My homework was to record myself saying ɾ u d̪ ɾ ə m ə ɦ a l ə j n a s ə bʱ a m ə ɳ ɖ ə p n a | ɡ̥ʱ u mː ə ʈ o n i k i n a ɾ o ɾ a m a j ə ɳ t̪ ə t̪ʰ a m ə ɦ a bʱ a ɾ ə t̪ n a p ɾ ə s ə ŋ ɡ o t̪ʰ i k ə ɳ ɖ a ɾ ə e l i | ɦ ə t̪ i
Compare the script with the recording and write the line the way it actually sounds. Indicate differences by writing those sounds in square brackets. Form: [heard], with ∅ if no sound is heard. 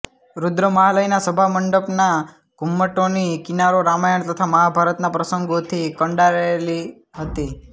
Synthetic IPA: ɾ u d̪ ɾ ə m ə ɦ a l ə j n a s ə bʱ a m ə ɳ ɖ ə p n a | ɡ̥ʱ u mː ə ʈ o n i k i n a ɾ o ɾ a m a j ə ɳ t̪ ə t̪ʰ a m ə ɦ a bʱ a ɾ ə t̪ n a p ɾ ə s ə ŋ ɡ o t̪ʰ i k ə ɳ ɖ a ɾ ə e l i | ɦ ə t̪ i